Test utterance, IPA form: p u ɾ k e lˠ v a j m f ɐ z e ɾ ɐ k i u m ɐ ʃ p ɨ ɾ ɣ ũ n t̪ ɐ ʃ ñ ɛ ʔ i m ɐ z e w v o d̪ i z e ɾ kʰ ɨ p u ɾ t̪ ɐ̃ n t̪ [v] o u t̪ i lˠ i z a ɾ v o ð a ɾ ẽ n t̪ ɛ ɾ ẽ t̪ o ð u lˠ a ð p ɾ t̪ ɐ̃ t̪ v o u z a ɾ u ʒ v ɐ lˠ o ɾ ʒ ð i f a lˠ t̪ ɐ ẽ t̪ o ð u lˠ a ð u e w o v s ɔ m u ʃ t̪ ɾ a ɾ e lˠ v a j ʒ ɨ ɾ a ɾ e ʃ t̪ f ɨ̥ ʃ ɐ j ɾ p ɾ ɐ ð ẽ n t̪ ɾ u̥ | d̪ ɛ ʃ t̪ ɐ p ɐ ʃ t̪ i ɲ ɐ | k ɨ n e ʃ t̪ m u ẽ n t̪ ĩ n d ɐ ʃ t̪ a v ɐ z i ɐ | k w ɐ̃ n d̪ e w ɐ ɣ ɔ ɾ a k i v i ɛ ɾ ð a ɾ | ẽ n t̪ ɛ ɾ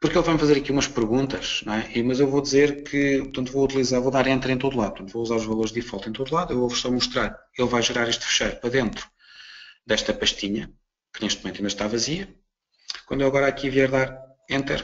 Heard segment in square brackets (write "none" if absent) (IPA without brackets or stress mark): v